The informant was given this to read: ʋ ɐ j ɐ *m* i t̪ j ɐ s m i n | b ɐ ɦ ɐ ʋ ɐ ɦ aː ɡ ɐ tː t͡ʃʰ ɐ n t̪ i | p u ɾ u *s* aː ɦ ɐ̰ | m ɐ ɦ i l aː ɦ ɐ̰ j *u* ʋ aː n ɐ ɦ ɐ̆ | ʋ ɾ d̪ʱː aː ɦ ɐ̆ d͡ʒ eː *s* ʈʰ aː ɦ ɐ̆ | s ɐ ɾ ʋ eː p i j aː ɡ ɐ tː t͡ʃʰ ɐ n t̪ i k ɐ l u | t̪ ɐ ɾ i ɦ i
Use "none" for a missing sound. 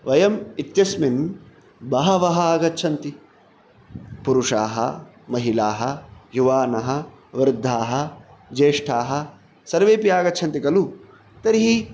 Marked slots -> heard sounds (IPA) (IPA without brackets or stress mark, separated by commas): m, ʂ, u, ʂ